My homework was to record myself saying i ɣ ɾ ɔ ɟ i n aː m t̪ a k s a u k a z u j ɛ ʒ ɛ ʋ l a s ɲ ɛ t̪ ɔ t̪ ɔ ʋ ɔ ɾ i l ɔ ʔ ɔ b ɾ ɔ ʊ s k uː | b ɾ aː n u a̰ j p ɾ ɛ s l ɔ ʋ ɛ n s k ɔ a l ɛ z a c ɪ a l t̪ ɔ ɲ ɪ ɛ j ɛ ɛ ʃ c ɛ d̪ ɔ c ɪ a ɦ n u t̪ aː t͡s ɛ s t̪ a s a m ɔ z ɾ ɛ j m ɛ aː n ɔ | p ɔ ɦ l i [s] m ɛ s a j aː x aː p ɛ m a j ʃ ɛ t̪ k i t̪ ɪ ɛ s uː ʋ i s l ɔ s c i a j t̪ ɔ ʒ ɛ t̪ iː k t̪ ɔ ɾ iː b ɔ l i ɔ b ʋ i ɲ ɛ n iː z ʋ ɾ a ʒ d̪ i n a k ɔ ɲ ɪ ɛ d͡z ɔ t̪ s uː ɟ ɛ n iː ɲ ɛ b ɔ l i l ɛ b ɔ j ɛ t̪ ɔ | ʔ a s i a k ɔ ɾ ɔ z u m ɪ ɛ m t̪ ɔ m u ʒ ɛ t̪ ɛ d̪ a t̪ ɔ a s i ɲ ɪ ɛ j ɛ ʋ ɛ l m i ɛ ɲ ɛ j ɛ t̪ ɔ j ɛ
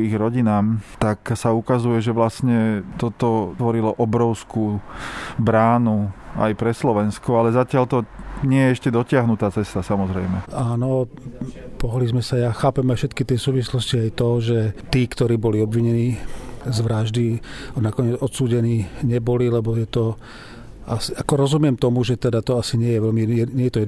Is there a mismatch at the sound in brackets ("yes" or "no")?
yes